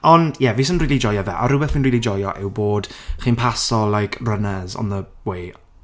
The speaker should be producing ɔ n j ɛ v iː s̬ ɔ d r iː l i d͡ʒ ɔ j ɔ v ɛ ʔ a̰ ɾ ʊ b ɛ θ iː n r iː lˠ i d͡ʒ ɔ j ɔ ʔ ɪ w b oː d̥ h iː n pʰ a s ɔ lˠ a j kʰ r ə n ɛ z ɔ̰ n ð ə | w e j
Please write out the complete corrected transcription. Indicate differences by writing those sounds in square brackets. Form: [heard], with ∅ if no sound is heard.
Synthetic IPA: ɔ n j ɛ v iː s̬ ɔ [n] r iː l i d͡ʒ ɔ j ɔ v ɛ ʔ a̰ ɾ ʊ b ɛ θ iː n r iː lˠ i d͡ʒ ɔ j ɔ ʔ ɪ w b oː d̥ [χ] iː n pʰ a s ɔ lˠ a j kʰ r ə n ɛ z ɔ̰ n ð ə | w e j